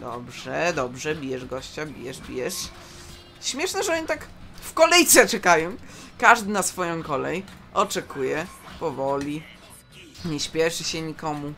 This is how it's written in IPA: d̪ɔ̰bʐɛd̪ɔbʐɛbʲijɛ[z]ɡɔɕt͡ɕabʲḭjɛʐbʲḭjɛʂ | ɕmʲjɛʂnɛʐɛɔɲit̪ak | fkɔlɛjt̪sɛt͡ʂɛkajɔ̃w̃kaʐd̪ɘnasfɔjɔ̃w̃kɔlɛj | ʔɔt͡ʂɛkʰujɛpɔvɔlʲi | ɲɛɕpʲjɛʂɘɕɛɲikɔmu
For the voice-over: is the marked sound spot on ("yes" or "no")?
no